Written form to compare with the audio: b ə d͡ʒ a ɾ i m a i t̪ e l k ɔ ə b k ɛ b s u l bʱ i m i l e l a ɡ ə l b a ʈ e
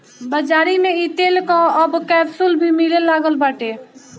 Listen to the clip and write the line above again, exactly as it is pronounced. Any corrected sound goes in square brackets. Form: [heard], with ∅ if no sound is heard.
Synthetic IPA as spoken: b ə d͡ʒ a ɾ i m [e] i t̪ e l k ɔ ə b k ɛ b s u l bʱ i m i l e l a ɡ ə l b a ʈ e

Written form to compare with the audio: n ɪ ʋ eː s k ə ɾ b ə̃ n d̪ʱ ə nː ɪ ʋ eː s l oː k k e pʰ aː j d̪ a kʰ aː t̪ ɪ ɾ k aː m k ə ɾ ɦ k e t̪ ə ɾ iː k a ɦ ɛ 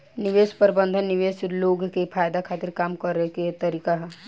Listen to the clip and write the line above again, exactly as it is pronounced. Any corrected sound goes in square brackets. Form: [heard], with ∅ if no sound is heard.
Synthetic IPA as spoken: n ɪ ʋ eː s [p] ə ɾ b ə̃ n d̪ʱ ə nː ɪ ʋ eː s l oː [ɡ] k e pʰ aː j d̪ a kʰ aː t̪ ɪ ɾ k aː m k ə ɾ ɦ k e t̪ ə ɾ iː k a ɦ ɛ

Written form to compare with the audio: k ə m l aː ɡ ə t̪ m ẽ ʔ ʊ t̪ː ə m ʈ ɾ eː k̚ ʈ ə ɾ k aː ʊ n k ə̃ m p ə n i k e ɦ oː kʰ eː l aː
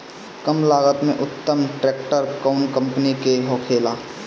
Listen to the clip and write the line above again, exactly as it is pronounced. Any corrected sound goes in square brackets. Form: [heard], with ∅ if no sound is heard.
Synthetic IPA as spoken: k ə m l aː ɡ ə t̪ m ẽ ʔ ʊ t̪ː ə m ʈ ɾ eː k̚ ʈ ə ɾ k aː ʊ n k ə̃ m p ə n i k e ɦ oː kʰ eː l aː

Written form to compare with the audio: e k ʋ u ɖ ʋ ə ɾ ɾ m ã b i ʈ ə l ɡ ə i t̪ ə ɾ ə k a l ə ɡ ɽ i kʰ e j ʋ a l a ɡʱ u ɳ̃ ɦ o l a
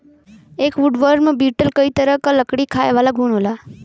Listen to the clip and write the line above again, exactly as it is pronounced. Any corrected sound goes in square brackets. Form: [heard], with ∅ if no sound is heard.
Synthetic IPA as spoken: e k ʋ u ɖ ʋ ə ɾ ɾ m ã b i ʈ ə l [k] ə i t̪ ə ɾ ə k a l ə [k] ɽ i kʰ [a] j ʋ a l a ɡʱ u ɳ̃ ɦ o l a

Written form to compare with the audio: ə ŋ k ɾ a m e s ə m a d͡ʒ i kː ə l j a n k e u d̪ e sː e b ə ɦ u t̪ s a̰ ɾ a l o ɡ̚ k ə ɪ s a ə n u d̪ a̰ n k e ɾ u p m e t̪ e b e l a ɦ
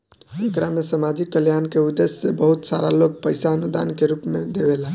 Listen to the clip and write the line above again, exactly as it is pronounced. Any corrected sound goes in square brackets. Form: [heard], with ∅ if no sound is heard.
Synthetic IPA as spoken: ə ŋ k ɾ a m e s ə m a d͡ʒ i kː ə l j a n k e u d̪ e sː e b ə ɦ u t̪ s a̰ ɾ a l o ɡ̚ [p] ə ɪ s a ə n u d̪ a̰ n k e ɾ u p m e [d̪] e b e l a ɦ

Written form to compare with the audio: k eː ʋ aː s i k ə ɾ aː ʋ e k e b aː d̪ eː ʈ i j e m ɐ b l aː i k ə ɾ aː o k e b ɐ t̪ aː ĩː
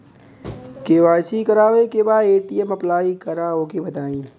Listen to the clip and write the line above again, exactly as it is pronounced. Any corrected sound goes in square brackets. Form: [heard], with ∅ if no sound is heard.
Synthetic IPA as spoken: k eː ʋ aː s i k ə ɾ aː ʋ e k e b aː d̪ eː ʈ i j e m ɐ [p] l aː i k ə ɾ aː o k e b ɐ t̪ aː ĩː

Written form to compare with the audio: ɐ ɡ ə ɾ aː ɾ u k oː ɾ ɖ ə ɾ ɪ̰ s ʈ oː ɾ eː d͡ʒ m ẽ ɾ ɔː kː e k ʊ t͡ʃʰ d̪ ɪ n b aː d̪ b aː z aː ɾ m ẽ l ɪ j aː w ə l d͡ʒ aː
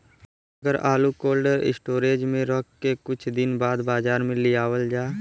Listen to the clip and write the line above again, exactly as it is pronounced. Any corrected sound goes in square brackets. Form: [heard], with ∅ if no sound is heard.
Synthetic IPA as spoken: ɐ ɡ ə ɾ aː [l] u k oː [l] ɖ ə ɾ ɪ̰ s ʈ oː ɾ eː d͡ʒ m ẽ ɾ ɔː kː e k ʊ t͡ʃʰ d̪ ɪ n b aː d̪ b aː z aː ɾ m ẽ l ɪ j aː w ə l d͡ʒ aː

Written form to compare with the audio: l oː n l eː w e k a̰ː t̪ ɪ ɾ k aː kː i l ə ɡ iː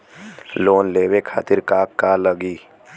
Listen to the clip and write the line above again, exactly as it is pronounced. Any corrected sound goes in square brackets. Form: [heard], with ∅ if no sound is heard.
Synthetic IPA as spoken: l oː n l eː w e [kʰ] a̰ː t̪ ɪ ɾ k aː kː [a] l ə ɡ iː

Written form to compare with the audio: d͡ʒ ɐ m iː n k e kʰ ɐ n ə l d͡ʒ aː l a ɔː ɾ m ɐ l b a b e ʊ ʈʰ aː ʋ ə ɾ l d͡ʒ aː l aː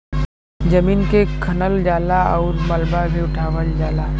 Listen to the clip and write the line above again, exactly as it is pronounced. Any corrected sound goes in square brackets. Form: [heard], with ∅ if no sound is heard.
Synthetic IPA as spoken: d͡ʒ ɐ m iː n k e kʰ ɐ n ə l d͡ʒ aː l a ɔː ɾ m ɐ l b a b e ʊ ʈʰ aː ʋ ə [∅] l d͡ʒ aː l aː

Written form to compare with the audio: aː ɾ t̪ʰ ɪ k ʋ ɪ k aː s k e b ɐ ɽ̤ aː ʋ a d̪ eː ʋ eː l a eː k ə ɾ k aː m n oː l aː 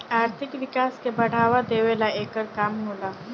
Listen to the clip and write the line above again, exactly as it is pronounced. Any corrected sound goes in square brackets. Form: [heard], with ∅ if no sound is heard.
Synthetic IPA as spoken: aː ɾ t̪ʰ ɪ k ʋ ɪ k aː s k e b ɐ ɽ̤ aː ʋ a d̪ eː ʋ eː l a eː k ə ɾ k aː m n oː l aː

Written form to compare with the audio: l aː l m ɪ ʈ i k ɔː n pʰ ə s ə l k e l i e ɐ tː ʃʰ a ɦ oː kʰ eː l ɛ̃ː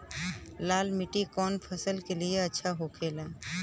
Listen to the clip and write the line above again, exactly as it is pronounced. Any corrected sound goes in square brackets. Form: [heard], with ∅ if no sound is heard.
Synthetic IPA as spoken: l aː l m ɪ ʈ i k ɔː n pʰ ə s ə l k e l i e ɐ tː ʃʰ a ɦ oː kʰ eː l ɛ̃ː

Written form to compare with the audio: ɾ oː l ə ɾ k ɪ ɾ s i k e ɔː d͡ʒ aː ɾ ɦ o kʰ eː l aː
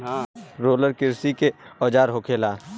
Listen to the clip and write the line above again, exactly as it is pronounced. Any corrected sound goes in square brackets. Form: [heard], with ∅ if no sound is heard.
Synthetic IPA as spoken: ɾ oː l ə ɾ k ɪ ɾ s i k e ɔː d͡ʒ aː ɾ ɦ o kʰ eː l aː

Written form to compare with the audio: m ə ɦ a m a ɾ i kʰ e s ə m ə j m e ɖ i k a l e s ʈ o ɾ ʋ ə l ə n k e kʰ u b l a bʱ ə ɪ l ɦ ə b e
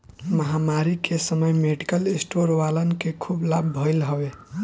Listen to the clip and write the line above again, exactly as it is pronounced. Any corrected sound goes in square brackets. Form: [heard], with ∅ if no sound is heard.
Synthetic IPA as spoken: m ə ɦ a m a ɾ i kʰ e s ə m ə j m e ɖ i k [ə] l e s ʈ o ɾ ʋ [a] l ə n k e kʰ u b l a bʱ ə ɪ l ɦ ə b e

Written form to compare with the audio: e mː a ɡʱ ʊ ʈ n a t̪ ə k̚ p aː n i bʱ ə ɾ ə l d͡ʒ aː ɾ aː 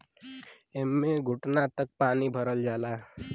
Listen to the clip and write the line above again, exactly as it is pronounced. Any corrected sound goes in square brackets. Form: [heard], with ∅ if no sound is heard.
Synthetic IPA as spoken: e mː [e] ɡʱ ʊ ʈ n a t̪ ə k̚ p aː n i bʱ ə ɾ ə l d͡ʒ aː [l] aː

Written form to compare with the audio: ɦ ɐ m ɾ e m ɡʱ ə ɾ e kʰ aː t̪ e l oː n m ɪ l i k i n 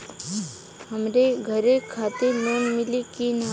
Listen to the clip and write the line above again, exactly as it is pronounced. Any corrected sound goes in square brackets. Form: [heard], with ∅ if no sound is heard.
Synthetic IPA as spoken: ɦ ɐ m ɾ e [∅] ɡʱ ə ɾ e kʰ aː t̪ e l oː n m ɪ l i k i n

